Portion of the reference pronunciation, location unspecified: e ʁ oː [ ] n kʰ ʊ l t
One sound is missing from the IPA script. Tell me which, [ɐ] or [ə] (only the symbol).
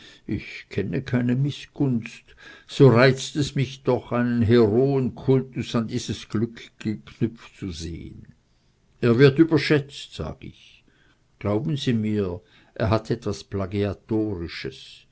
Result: ə